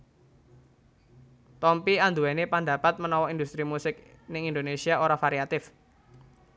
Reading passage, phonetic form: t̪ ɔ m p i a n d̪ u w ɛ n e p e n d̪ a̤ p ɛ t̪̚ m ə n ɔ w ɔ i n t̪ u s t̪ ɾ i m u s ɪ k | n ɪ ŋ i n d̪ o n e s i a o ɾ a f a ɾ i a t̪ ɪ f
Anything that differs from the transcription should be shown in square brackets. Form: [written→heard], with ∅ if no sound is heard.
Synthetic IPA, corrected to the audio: t̪ ɔ m p i a n d̪ u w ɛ n e p [e→a] n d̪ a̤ p [ɛ→a] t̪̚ m ə n ɔ w ɔ i n [t̪→d̪] u s t̪ ɾ i m u s ɪ k | n ɪ ŋ i n d̪ o n e s i a o ɾ a f a ɾ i a t̪ ɪ f

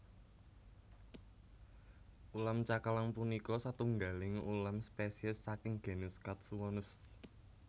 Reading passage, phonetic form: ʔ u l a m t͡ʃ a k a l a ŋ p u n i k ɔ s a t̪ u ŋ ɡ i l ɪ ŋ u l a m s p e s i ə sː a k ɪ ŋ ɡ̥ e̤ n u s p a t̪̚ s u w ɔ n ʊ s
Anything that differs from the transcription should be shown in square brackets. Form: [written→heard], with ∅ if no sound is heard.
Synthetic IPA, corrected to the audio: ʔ u l a m t͡ʃ a k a l a ŋ p u n i k ɔ s a t̪ u ŋ ɡ [i→a] l ɪ ŋ u l a m s p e s i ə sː a k ɪ ŋ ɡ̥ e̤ n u s [p→k] a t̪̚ s u w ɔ n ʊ s

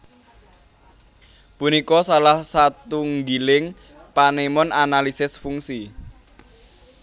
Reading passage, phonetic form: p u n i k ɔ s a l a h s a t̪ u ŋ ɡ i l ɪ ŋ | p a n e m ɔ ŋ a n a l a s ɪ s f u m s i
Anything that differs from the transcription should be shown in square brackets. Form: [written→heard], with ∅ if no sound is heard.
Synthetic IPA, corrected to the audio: p u n i k ɔ s a l a h s a t̪ u ŋ ɡ i l ɪ ŋ | p a n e m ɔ [ŋ→n] a n a l [a→i] s ɪ s f u [m→ŋ] s i

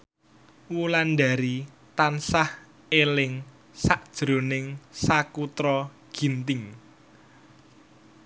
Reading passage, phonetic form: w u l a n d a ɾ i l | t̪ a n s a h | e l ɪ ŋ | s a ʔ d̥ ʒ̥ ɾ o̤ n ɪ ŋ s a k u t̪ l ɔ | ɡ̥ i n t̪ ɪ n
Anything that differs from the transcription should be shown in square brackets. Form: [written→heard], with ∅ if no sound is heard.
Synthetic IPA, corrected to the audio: w u l a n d a ɾ i [l→∅] | t̪ a n s a h | e l ɪ ŋ | s a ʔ d̥ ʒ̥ ɾ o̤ n ɪ ŋ s a k u t̪ [l→ɾ] ɔ | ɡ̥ i n t̪ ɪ [n→ŋ]

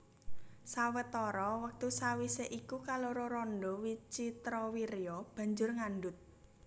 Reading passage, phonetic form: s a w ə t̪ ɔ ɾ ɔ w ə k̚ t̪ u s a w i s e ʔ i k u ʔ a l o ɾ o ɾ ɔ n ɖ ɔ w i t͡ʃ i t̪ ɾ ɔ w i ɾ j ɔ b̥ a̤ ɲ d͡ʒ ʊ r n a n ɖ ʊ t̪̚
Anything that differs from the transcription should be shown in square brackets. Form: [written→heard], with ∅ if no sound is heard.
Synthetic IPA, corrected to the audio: s a w ə t̪ ɔ ɾ ɔ w ə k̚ t̪ u s a w i s e ʔ i k u [ʔ→k] a l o ɾ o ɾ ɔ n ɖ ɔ w i t͡ʃ i t̪ ɾ ɔ w i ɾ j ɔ b̥ a̤ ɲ d͡ʒ ʊ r [n→ŋ] a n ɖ ʊ t̪̚

